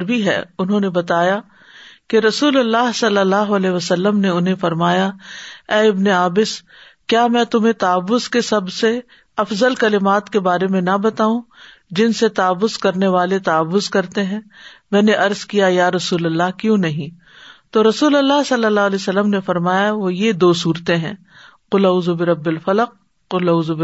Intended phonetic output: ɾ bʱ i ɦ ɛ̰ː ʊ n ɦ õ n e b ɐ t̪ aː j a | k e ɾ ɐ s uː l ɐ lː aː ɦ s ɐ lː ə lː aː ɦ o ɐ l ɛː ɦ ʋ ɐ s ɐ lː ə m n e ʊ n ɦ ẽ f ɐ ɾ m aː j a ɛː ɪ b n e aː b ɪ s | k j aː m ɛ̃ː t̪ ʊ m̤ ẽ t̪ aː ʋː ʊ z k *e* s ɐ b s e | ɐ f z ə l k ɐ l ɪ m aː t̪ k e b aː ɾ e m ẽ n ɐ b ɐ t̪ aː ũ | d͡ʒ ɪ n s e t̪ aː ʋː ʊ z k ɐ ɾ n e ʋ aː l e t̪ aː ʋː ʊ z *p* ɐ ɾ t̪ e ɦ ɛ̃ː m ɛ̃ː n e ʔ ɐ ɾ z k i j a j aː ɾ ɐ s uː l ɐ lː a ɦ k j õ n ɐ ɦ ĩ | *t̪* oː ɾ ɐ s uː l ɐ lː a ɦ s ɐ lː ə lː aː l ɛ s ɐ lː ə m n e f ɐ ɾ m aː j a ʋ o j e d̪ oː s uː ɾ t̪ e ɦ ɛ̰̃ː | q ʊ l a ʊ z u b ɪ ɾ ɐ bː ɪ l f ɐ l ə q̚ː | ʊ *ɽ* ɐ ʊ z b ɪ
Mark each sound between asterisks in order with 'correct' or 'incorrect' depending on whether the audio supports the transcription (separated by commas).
correct, incorrect, correct, incorrect